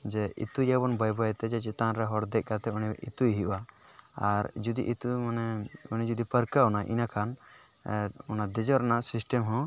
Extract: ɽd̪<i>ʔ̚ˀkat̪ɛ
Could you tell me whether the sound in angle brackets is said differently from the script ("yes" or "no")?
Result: yes